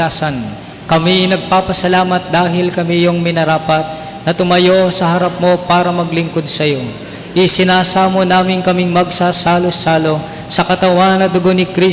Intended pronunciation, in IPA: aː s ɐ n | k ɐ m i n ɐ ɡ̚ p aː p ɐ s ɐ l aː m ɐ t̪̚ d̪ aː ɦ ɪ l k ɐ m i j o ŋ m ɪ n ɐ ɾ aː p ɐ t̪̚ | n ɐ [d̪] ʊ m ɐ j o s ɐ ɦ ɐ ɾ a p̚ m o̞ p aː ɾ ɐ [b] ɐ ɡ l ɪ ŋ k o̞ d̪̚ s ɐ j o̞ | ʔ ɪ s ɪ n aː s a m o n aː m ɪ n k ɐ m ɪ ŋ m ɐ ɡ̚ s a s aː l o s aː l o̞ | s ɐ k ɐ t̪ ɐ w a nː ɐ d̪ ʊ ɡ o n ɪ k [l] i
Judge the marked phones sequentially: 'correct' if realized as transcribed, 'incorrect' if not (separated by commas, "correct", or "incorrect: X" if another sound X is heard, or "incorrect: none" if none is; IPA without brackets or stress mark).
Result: incorrect: t̪, incorrect: m, incorrect: ɾ